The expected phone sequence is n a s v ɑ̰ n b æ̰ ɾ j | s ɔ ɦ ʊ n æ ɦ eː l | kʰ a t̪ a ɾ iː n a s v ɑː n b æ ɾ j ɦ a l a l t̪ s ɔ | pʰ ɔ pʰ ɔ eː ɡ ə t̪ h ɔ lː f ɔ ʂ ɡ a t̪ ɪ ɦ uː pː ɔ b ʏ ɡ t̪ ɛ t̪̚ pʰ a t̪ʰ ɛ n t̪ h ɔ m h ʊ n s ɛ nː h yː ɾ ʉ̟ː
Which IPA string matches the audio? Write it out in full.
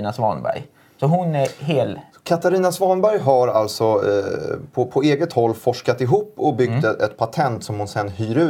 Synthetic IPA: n a s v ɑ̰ n b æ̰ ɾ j | s ɔ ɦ ʊ n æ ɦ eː l | kʰ a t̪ a ɾ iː n a s v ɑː n b æ ɾ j ɦ a ɾ a l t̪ s ɔ | pʰ ɔ pʰ ɔ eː ɡ ə t̪ h ɔ lː f ɔ ʂ k a t̪ ɪ ɦ uː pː ɔ b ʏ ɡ t̪ ɛ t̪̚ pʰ a t̪ʰ ɛ n t̪ s ɔ m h ʊ n s ɛ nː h yː ɾ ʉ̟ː